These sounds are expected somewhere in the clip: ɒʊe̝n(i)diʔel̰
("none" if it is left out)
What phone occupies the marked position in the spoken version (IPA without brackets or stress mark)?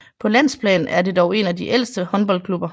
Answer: æ